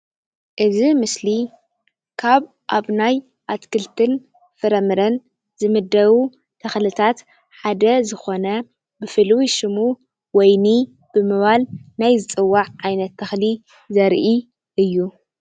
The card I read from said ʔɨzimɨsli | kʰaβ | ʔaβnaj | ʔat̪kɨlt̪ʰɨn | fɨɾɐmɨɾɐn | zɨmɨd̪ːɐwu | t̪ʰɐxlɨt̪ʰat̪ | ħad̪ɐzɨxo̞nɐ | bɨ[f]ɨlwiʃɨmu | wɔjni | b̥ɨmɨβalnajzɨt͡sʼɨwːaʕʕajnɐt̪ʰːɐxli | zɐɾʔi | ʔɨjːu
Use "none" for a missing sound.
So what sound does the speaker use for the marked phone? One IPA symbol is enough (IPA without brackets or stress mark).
f